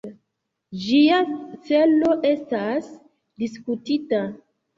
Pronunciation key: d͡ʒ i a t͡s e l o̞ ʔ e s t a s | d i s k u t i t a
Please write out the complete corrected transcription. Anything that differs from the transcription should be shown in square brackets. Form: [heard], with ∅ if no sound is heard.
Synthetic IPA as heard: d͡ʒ i a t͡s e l o̞ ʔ e s t a s | d i s k u t i t a